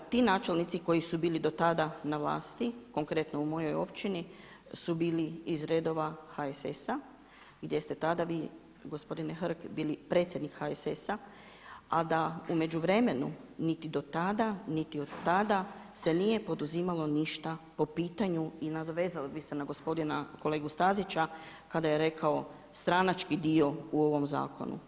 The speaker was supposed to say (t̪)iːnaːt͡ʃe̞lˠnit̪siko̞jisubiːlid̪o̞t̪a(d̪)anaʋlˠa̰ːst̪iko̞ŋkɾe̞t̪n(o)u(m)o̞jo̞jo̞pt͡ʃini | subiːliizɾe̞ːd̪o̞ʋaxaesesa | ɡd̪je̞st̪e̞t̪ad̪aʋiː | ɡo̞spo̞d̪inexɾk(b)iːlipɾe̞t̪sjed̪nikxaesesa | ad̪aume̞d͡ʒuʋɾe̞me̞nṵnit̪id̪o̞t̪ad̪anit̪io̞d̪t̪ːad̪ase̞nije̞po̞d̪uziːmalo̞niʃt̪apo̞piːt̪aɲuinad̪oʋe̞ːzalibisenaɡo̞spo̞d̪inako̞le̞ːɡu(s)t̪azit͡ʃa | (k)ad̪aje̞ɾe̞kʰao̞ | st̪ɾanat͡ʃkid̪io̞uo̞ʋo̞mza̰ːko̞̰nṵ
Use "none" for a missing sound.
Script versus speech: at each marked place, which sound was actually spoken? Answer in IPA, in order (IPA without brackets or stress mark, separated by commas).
t̪, d̪, o, m, b, s, k